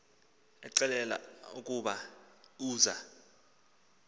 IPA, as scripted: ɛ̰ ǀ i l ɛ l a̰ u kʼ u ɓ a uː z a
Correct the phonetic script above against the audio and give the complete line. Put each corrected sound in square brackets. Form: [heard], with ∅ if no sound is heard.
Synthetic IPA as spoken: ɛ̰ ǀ [ɛ] l ɛ l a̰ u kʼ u ɓ a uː z a